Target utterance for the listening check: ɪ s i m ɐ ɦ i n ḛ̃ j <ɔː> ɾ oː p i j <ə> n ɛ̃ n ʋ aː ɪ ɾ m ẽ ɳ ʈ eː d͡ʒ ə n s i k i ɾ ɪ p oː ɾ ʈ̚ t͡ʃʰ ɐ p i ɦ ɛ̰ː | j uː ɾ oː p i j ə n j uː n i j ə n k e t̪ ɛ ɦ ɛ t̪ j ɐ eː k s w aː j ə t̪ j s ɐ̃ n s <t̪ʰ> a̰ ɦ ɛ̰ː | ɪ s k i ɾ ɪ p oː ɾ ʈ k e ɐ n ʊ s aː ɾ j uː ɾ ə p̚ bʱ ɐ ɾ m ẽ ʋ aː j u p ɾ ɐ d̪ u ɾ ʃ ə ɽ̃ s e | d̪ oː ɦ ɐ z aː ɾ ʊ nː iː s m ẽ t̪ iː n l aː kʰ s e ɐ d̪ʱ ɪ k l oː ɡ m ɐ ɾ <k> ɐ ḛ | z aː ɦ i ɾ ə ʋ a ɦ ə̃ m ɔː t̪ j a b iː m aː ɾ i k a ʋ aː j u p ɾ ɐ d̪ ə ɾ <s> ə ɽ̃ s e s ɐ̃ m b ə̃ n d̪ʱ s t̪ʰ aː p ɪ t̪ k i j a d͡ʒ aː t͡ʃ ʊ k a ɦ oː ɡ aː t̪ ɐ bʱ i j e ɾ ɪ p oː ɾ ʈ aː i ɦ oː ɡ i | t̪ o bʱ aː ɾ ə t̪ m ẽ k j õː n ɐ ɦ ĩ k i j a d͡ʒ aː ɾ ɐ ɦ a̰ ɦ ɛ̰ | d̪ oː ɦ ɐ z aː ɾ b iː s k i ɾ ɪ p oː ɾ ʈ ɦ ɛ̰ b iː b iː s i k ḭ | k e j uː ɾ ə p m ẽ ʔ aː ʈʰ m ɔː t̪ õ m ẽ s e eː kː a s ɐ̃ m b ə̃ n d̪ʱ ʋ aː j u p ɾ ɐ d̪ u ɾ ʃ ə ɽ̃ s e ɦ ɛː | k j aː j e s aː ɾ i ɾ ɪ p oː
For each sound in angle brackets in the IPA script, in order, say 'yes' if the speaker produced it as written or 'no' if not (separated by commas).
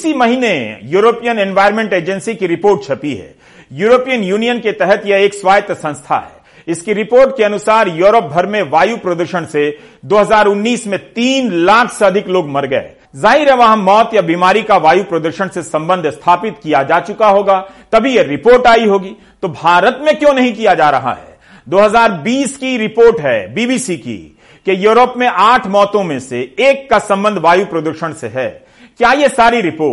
no, yes, yes, no, no